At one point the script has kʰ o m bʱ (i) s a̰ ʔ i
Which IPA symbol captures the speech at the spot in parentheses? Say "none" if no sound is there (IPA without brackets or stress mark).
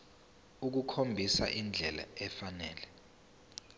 i